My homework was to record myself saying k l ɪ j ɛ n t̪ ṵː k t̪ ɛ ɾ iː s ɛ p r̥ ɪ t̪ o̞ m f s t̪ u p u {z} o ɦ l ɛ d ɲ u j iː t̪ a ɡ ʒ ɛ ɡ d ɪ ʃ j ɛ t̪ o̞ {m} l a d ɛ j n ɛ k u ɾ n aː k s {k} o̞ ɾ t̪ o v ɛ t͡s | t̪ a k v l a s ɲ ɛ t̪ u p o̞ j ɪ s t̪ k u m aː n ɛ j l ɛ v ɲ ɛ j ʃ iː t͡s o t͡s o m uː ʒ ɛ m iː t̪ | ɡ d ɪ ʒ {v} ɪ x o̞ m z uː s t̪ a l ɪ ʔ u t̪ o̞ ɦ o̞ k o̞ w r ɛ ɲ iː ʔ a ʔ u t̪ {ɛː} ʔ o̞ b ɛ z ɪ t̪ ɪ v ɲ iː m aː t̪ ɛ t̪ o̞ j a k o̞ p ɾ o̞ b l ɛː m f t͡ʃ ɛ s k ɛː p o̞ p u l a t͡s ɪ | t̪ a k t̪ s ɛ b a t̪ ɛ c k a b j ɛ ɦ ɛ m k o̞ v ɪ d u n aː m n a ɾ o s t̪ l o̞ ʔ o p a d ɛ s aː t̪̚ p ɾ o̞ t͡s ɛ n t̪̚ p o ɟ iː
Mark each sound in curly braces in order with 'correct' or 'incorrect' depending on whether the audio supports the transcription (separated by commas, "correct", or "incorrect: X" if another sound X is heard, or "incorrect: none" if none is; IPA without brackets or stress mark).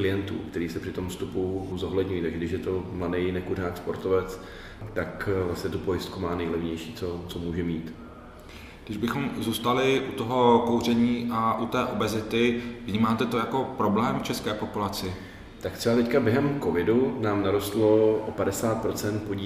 correct, correct, incorrect: p, incorrect: b, correct